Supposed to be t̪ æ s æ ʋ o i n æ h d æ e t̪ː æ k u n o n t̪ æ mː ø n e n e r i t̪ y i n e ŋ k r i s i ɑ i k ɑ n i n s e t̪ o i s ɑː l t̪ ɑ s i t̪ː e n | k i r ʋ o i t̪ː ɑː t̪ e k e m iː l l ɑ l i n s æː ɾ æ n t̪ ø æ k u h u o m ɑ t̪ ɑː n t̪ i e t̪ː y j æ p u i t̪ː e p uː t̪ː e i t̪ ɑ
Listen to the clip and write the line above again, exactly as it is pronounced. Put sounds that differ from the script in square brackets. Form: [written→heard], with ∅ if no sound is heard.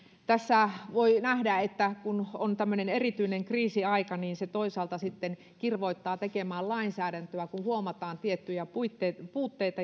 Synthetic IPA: t̪ æ [s→sː] æ ʋ o i n æ h d æ e t̪ː æ k u n o n t̪ æ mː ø n e n e r i t̪ y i n e ŋ k r [i→iː] s i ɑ i k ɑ n [i→iː] n s e t̪ o i s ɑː l t̪ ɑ s i t̪ː e n | k i r ʋ o i t̪ː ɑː t̪ e k e m [iː→æː] l l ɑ [l→∅] i n s æː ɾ æ n t̪ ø æ k u h u o m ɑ t̪ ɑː n t̪ i e t̪ː y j æ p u i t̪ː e p uː t̪ː e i t̪ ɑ